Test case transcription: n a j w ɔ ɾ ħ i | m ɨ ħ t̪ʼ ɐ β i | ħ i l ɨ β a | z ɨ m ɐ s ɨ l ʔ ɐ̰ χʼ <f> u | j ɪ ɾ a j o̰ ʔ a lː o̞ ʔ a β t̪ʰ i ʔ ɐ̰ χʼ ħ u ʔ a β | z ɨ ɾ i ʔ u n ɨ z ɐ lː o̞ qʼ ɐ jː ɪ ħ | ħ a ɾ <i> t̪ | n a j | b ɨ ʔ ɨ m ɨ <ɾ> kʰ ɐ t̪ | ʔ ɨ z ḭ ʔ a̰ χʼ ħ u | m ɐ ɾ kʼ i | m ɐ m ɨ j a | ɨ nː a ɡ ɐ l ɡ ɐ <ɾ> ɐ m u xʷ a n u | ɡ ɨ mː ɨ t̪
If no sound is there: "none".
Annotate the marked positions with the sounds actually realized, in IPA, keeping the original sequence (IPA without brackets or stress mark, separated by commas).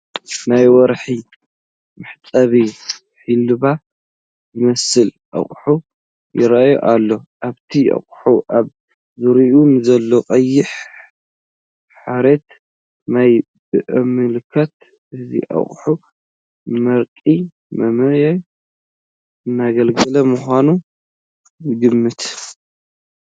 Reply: ħ, e, l, l